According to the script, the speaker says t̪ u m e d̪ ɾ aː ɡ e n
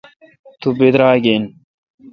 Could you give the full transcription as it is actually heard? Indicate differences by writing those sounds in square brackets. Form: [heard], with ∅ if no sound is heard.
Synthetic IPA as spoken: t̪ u [b] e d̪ ɾ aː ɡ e n